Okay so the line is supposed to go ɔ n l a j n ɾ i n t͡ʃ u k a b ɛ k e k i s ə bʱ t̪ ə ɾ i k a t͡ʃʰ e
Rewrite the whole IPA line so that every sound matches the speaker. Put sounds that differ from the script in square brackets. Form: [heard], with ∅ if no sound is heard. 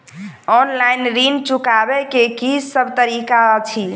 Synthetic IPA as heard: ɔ n l a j n ɾ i n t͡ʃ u k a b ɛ k e k i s ə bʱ t̪ ə ɾ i k a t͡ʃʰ [i]